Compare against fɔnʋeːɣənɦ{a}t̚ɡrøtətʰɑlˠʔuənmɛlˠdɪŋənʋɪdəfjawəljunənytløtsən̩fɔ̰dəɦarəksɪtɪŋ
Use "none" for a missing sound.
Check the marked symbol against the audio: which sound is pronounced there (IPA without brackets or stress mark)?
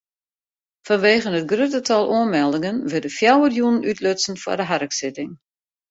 ə